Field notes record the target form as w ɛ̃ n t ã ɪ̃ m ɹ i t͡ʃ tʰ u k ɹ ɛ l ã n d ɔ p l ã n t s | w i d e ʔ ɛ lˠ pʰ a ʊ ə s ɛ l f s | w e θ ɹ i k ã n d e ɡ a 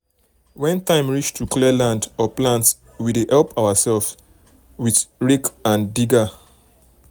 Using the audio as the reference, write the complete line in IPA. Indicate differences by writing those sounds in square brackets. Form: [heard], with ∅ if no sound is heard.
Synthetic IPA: w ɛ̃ n t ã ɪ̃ m ɹ i t͡ʃ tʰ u k [l] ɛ l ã n d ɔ p l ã n t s | w i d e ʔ ɛ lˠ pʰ a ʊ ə s ɛ l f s | w [i] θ ɹ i k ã n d [i] ɡ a